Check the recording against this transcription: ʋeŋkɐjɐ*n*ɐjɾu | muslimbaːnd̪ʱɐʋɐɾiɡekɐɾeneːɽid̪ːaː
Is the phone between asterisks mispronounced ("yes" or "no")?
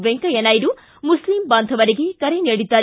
no